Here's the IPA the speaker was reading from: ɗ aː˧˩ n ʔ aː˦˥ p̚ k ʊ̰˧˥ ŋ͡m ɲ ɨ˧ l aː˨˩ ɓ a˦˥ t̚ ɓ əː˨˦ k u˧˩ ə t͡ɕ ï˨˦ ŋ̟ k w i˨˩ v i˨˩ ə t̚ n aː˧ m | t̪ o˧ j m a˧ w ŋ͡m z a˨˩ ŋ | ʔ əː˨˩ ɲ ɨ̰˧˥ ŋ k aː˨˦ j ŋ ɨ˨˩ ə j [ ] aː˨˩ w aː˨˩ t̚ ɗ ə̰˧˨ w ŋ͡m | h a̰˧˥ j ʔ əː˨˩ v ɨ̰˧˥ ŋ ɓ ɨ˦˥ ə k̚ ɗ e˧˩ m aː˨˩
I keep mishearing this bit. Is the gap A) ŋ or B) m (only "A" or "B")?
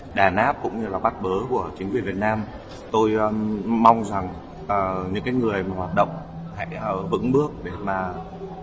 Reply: B